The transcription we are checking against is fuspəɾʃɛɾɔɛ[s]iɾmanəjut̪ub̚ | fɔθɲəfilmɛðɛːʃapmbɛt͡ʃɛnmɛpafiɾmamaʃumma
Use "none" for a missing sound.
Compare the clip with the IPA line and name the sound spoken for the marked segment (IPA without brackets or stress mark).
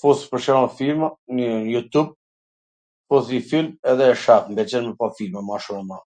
f